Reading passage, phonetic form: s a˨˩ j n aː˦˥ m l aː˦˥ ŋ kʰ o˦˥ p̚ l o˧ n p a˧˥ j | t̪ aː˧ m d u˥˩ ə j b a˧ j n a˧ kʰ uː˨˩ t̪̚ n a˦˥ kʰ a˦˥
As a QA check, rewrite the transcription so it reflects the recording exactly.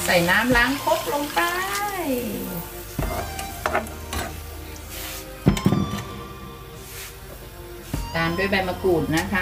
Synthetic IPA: s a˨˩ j n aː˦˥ m l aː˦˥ ŋ kʰ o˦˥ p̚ l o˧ ŋ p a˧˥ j | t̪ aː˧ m d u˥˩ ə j b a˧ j m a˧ k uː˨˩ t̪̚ n a˦˥ kʰ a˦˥